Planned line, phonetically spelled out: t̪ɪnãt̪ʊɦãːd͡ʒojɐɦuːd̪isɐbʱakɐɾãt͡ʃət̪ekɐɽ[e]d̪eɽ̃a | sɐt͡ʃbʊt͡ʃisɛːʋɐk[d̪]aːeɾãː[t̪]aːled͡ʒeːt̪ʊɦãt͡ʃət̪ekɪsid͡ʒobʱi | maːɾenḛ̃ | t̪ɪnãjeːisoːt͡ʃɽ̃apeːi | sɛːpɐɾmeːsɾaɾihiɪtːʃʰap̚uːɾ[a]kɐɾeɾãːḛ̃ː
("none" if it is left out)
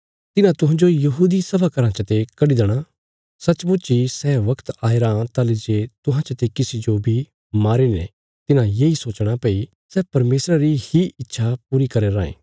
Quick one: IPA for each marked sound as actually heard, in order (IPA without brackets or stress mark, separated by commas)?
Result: i, t̪, t̪, i